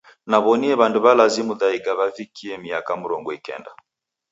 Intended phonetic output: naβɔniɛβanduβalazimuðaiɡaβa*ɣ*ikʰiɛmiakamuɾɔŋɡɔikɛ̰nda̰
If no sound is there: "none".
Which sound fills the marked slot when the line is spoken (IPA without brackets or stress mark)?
v